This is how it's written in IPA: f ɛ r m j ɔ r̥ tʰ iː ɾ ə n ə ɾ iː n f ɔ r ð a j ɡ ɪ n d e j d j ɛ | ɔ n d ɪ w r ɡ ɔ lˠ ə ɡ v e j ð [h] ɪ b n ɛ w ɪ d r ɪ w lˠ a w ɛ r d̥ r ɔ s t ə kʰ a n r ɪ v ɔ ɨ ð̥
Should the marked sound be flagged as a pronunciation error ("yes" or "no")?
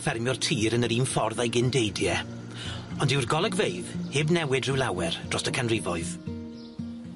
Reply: no